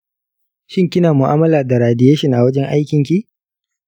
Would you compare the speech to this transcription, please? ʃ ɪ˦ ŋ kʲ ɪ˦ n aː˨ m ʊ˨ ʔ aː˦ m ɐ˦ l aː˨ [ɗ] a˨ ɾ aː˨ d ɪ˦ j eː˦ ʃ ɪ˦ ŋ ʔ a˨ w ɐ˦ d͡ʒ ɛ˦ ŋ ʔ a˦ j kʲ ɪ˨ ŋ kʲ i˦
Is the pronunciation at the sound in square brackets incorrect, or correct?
incorrect: d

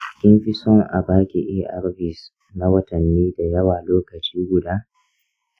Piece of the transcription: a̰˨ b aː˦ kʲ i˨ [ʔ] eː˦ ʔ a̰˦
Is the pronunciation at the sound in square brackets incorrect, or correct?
correct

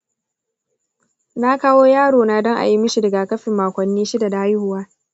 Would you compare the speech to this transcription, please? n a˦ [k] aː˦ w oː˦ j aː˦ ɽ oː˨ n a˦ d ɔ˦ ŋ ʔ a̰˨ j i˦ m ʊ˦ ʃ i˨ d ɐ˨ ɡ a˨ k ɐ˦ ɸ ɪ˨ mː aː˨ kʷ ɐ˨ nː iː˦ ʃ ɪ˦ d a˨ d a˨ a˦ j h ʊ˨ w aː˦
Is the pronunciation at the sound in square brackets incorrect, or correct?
correct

